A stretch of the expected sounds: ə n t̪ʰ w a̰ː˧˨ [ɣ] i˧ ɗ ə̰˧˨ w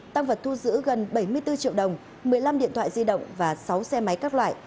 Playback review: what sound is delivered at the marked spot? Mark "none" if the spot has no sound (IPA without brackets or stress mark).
z